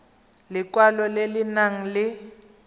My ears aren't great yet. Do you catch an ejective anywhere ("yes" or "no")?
no